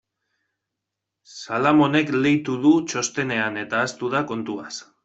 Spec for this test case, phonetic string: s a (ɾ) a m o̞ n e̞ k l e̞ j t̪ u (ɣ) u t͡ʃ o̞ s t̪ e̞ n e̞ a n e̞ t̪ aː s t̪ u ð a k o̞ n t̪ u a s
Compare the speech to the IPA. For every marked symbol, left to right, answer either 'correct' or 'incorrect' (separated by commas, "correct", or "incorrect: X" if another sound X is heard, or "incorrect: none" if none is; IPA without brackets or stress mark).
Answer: incorrect: l, incorrect: ð